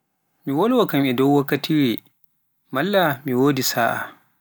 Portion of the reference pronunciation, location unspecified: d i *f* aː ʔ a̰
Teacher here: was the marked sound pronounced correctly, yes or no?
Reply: no